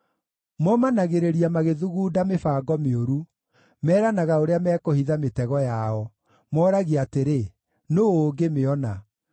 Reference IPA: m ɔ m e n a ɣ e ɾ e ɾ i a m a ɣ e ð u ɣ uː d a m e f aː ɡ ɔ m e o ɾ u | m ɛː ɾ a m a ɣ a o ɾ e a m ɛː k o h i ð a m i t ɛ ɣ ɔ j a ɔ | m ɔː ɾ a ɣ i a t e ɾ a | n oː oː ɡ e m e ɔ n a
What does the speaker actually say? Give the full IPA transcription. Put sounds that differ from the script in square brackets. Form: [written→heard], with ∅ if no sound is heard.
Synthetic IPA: m ɔ m [e→a] n a ɣ e ɾ e ɾ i a m a ɣ e ð u ɣ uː d a m e f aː ɡ ɔ m e o ɾ u | m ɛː ɾ a [m→n] a ɣ a o ɾ e a m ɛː k o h i ð a m [i→e] t ɛ ɣ ɔ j a ɔ | m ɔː ɾ a ɣ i a t e ɾ [a→e] | n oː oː ɡ e m e ɔ n a